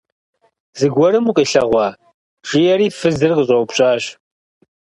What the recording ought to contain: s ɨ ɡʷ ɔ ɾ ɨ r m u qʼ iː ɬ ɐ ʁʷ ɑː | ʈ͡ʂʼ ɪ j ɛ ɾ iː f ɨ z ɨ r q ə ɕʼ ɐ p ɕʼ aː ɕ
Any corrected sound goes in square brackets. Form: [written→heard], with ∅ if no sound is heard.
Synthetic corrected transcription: [s→z] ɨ ɡʷ ɔ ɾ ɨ [r→∅] m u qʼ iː ɬ ɐ ʁʷ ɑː | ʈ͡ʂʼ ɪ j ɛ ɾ iː f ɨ z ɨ r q ə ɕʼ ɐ p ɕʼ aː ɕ